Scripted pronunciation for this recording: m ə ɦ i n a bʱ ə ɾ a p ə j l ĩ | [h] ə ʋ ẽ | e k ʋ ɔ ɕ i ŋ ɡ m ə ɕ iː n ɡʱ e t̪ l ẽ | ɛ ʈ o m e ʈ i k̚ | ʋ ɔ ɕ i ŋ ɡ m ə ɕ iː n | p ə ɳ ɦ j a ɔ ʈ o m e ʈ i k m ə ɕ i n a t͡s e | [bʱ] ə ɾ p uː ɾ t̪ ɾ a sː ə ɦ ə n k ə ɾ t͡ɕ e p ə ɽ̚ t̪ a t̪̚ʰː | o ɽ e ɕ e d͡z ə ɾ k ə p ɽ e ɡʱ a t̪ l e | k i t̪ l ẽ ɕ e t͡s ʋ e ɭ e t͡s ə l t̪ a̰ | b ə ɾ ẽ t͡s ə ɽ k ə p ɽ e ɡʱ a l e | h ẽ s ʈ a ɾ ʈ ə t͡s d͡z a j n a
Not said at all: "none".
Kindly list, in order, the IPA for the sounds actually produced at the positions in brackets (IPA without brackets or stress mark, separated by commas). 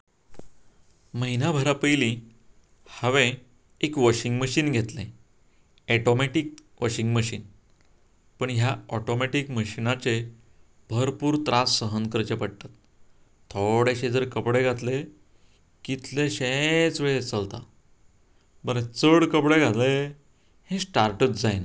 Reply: h, bʱ